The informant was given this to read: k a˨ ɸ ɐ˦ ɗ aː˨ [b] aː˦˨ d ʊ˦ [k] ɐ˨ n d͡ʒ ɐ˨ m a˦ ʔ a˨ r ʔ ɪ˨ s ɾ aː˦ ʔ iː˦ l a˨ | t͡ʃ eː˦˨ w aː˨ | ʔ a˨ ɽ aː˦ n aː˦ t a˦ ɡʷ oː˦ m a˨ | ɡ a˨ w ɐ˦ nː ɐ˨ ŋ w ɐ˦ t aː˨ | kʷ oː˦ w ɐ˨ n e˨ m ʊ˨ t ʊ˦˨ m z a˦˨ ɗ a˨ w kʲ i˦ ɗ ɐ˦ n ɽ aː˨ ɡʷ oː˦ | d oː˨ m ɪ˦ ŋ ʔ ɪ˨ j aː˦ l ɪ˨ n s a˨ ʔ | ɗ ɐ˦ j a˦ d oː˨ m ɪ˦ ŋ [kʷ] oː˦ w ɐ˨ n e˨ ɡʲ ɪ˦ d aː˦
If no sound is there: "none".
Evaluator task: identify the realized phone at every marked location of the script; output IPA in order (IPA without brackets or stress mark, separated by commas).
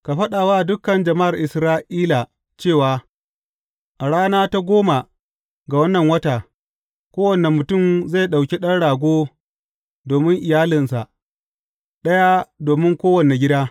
w, k, kʷ